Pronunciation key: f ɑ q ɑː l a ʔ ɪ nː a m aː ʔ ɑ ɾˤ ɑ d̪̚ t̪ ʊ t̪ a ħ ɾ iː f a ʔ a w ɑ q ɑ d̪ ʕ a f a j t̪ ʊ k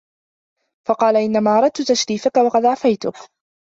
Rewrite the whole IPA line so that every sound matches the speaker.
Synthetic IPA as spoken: f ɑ q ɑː l a ʔ ɪ nː a m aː ʔ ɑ ɾˤ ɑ d̪̚ t̪ ʊ t̪ a ʃ ɾ iː f a k a w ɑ q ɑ d̪ ʕ a f a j t̪ ʊ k